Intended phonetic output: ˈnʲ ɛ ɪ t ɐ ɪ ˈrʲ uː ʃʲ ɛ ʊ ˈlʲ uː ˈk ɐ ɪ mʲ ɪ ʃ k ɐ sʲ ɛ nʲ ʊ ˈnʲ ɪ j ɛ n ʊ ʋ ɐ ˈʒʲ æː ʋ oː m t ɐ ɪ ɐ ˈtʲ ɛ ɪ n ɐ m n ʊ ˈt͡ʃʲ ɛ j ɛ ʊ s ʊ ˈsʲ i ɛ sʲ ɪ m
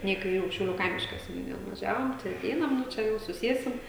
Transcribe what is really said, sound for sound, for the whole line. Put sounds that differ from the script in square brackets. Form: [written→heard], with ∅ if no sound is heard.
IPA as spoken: ˈnʲ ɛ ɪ [t→k] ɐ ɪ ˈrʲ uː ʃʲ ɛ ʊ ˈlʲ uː ˈk ɐ ɪ mʲ ɪ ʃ k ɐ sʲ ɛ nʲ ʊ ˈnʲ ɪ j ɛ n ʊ ʋ ɐ ˈʒʲ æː ʋ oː m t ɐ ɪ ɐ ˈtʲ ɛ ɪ n ɐ m n ʊ ˈt͡ʃʲ ɛ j ɛ ʊ s ʊ ˈsʲ i ɛ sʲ ɪ m